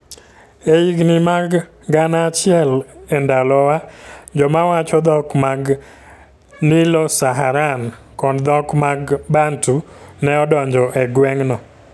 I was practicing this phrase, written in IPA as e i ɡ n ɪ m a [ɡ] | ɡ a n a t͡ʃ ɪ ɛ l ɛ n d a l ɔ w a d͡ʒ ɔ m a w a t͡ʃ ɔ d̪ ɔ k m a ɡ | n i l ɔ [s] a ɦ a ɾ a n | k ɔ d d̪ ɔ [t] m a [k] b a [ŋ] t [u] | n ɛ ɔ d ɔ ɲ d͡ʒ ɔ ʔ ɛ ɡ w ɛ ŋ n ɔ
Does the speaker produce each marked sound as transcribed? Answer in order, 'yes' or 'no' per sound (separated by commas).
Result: yes, yes, no, no, no, yes